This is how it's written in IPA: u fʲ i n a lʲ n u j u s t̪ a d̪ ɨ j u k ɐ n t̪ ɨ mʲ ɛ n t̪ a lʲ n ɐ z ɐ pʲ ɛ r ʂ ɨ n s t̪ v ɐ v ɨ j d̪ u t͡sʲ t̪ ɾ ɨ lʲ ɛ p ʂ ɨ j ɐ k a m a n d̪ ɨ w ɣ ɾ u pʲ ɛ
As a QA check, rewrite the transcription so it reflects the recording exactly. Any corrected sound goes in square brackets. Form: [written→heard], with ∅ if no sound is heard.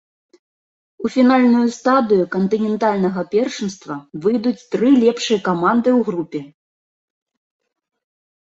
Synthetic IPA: u fʲ i n a lʲ n u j u s t̪ a d̪ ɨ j u k ɐ n t̪ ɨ [mʲ→nʲ] ɛ n t̪ a lʲ n ɐ [z→ɣ] ɐ pʲ ɛ r ʂ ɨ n s t̪ v ɐ v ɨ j d̪ u t͡sʲ t̪ ɾ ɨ lʲ ɛ p ʂ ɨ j ɐ k a m a n d̪ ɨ w ɣ ɾ u pʲ ɛ